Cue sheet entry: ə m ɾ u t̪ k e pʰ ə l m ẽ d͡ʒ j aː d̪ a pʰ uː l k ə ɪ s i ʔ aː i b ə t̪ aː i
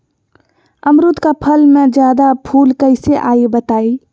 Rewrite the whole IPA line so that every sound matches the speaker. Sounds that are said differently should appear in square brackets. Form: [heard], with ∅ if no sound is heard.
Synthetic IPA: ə m ɾ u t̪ k [a] pʰ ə l m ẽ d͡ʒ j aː d̪ a pʰ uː l k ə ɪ s [e] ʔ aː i b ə t̪ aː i